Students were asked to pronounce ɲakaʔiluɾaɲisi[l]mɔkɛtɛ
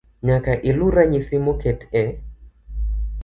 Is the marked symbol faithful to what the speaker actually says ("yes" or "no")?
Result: no